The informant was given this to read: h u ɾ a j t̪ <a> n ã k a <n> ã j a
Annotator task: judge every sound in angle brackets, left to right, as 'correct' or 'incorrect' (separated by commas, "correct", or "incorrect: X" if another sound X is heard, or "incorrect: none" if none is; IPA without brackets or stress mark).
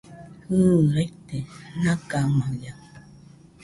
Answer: incorrect: e, incorrect: m